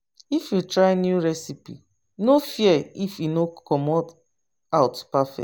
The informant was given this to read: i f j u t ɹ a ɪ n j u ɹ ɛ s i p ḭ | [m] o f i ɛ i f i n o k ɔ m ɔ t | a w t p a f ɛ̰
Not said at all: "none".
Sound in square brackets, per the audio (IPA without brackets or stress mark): n